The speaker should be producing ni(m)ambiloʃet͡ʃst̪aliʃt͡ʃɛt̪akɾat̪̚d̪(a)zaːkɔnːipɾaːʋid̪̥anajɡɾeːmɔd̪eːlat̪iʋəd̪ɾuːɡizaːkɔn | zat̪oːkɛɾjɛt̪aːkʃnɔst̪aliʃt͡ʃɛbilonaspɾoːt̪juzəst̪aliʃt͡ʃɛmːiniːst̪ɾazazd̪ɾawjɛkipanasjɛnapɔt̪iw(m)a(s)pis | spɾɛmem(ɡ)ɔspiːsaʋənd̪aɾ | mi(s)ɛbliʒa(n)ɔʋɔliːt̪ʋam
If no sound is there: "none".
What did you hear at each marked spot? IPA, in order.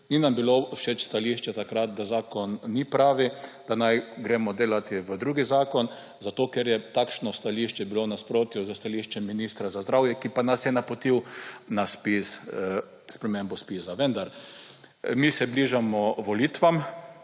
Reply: n, a, n, s, b, s, m

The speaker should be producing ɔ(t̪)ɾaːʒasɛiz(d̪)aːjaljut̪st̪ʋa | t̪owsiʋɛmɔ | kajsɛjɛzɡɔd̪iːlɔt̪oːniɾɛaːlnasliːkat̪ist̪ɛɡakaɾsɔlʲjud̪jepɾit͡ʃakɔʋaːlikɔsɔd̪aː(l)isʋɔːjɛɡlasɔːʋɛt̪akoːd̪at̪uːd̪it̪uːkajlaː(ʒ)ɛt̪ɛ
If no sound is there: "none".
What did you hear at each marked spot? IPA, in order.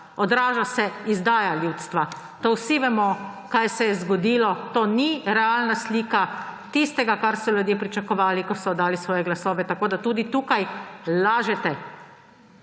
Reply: d̪, d̪, l, ʒ

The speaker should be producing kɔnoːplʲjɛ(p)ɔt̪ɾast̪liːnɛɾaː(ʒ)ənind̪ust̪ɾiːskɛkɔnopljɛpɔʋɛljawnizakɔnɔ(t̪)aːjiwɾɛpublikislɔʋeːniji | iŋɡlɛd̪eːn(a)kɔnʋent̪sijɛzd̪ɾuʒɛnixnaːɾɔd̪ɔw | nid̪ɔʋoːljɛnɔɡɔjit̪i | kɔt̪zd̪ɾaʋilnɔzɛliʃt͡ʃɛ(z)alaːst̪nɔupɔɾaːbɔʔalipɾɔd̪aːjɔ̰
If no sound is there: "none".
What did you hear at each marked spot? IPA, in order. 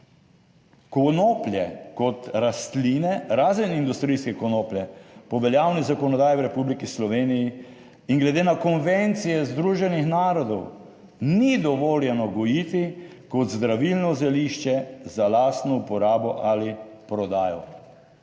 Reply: k, z, d̪, a, z

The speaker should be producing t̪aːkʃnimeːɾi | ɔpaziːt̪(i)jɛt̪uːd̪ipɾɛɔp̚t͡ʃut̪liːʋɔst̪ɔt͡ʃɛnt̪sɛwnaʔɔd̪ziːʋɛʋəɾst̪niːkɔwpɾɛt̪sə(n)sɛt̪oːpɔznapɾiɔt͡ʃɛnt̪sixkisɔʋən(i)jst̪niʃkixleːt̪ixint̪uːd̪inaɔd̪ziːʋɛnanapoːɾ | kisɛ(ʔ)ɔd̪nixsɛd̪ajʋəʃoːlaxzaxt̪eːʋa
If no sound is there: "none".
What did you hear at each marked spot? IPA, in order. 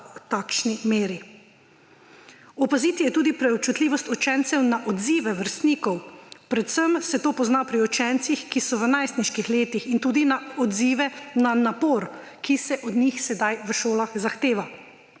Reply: i, m, a, ʔ

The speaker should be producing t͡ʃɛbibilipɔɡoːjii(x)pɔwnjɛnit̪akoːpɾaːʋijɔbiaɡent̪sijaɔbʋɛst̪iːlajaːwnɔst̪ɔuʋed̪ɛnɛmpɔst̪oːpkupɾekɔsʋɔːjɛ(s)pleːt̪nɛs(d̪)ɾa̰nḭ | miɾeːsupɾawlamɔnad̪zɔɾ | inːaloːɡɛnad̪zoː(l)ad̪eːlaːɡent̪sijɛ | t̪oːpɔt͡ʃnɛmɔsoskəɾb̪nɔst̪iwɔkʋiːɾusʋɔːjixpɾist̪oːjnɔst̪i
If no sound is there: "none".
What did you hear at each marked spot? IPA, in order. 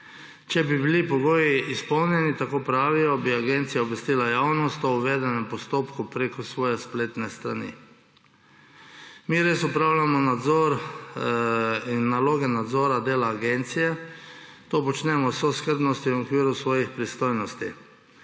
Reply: s, s, t̪, ɾ

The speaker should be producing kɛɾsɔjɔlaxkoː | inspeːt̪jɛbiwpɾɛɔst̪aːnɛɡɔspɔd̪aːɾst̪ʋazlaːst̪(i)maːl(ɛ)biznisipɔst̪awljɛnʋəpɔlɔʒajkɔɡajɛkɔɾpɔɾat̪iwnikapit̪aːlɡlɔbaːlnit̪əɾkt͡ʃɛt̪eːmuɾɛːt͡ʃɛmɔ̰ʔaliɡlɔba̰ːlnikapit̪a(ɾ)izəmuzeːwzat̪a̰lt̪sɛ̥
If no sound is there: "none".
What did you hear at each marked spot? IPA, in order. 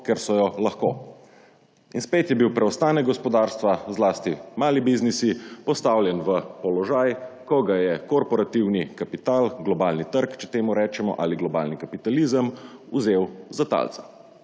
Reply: i, i, l

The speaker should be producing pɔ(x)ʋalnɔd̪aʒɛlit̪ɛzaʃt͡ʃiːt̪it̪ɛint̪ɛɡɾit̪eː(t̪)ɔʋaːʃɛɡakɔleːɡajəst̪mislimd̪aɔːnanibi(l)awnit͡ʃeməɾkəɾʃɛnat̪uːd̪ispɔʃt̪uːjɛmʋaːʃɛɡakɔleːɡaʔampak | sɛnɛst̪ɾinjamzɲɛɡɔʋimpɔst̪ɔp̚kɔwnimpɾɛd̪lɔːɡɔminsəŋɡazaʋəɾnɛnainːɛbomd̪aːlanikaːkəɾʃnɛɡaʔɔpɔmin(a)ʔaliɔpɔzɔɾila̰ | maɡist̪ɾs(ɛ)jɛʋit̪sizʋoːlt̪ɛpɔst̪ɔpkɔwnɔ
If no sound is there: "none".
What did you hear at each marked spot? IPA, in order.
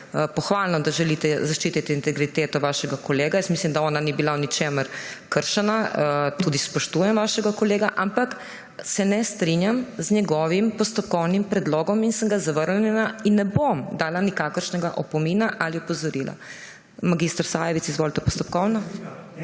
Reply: x, t̪, l, a, a

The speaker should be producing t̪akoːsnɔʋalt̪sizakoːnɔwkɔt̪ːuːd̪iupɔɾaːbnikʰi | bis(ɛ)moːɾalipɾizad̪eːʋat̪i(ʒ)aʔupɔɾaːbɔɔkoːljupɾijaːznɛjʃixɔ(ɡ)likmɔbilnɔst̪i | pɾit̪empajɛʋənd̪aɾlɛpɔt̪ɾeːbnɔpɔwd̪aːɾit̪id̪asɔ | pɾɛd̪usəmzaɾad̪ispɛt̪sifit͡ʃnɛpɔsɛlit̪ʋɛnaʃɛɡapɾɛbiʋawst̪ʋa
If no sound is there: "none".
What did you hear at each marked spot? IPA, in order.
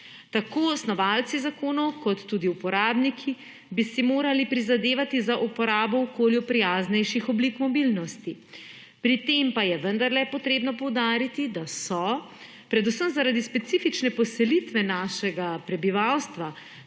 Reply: i, z, b

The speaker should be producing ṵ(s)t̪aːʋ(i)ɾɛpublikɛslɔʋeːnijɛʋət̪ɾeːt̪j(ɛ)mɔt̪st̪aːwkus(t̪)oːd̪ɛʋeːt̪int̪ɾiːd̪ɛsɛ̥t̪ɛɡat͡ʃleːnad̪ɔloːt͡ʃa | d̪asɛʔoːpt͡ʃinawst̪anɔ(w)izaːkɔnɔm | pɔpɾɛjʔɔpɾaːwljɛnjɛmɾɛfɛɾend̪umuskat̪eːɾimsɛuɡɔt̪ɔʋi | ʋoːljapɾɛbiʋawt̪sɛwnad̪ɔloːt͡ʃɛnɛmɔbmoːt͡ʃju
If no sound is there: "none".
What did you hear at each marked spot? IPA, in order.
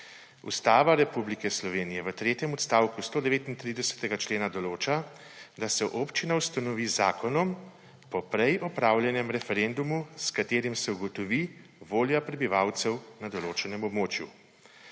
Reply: s, a, ɛ, t̪, ʋ

